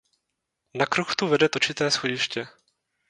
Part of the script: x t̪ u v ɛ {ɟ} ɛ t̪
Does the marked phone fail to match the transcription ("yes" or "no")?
yes